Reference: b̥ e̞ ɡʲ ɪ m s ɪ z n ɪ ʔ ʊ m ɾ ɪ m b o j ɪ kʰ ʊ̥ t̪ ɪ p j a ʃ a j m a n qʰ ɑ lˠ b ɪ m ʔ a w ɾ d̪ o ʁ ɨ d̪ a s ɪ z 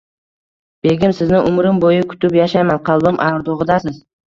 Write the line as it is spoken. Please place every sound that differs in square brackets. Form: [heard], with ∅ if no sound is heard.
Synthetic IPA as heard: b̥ e̞ ɡʲ ɪ m s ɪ z n ɪ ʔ ʊ m ɾ ɪ m b o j ɪ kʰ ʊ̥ t̪ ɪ p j a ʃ a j m a n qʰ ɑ lˠ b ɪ m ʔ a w ɾ d̪ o ʁ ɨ d̪ a s ɪ z